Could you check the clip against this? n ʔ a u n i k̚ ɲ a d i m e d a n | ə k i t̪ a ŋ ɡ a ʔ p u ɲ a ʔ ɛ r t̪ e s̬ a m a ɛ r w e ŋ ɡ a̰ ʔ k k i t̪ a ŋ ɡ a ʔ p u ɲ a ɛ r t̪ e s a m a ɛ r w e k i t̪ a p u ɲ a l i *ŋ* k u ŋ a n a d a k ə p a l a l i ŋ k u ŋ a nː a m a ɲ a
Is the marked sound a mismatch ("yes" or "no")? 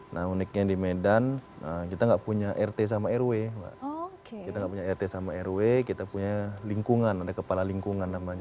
no